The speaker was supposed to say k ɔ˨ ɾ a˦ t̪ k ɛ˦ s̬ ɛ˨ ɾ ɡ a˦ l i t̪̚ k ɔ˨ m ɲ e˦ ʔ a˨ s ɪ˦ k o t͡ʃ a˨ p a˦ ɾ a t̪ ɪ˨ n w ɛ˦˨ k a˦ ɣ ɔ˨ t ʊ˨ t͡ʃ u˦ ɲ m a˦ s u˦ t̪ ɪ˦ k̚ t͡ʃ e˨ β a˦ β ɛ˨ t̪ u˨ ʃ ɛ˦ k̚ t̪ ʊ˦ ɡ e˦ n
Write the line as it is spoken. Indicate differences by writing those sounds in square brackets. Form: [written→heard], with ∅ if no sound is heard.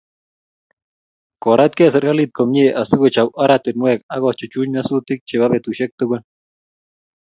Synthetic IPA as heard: k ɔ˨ ɾ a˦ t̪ k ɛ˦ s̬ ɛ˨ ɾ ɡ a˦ l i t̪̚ k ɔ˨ m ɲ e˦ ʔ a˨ s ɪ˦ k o t͡ʃ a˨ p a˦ ɾ a t̪ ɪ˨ n w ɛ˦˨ k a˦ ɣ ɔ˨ [t→t͡ʃ] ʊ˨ t͡ʃ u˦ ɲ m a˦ s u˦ t̪ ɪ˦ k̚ t͡ʃ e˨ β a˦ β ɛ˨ t̪ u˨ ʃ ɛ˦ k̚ t̪ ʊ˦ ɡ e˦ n